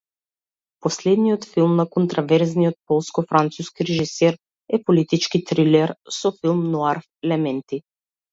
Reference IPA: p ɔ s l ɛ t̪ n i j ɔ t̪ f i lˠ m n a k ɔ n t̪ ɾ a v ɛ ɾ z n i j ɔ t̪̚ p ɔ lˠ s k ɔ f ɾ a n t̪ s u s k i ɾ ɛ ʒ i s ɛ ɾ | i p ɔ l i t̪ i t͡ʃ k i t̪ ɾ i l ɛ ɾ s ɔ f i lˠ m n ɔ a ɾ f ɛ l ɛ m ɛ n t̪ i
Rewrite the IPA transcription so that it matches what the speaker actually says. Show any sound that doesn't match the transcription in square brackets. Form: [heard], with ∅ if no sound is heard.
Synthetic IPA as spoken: p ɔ s l ɛ [d̪] n i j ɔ t̪ f i lˠ m n a k ɔ n t̪ ɾ a v ɛ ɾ z n i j ɔ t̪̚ p ɔ lˠ s k ɔ f ɾ a n t̪ s u s k i ɾ ɛ ʒ i s ɛ ɾ | [ɛ] p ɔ l i t̪ i t͡ʃ k i t̪ ɾ i l ɛ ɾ s ɔ f i lˠ m n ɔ a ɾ f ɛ l ɛ m ɛ n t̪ i